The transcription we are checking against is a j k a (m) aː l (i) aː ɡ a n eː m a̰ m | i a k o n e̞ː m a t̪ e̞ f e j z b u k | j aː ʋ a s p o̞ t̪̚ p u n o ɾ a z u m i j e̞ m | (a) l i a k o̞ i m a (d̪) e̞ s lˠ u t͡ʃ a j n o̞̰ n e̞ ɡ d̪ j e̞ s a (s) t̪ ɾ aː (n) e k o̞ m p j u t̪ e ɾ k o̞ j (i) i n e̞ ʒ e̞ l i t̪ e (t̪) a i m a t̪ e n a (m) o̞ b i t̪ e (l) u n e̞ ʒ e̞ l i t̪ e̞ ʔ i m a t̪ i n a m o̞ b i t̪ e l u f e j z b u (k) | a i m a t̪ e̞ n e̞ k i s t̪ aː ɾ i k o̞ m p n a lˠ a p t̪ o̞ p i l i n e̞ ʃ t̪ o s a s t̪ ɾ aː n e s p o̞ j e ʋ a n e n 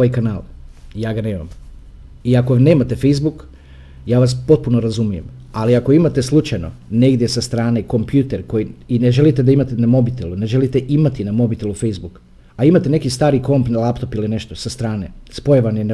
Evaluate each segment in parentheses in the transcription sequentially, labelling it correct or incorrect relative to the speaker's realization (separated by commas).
incorrect, incorrect, correct, incorrect, correct, correct, correct, incorrect, correct, correct, correct